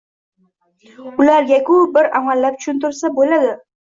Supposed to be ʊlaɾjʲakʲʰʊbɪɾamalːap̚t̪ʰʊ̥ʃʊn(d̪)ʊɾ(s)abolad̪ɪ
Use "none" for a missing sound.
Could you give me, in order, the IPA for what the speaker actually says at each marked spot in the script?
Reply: t̪, s

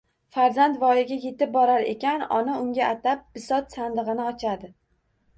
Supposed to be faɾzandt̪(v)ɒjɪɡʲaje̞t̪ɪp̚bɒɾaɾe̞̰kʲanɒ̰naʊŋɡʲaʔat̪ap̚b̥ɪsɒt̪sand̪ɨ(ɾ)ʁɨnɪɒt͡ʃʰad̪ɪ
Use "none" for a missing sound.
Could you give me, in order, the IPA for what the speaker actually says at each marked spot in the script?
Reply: v, none

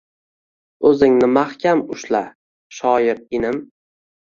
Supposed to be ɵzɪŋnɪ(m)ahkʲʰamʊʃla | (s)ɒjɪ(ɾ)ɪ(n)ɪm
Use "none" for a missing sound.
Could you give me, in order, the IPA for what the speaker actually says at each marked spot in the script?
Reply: m, ʃ, ɾ, n

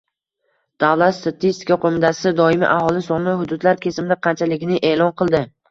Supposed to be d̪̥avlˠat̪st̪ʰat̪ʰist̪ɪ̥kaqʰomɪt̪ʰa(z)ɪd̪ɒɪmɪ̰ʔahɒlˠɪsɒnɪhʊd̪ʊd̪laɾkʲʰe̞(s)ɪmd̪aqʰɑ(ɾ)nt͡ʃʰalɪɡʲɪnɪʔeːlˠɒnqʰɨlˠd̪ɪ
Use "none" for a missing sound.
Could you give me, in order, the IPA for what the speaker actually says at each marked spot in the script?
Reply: s, s, none

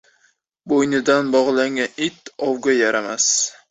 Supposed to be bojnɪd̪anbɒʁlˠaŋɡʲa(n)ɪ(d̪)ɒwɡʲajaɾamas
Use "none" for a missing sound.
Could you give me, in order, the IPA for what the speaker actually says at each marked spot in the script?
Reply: n, t̪

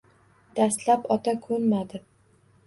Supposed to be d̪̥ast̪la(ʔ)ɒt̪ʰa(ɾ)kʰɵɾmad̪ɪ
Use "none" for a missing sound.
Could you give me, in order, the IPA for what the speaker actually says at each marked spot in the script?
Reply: p, none

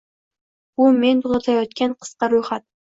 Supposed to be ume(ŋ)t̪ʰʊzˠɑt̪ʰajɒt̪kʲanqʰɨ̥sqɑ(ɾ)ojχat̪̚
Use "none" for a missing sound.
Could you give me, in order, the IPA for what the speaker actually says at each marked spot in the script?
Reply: n, ɾ

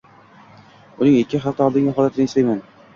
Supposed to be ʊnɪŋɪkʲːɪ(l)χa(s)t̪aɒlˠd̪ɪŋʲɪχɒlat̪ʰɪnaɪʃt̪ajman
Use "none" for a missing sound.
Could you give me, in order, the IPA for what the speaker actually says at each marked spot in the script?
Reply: none, f

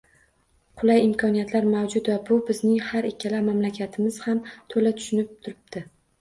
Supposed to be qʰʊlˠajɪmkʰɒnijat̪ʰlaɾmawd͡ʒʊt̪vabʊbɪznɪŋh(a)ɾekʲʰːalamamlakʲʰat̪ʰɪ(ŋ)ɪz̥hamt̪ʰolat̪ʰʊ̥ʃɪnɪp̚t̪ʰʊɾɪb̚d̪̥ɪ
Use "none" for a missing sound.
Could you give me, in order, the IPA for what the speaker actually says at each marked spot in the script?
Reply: a, m

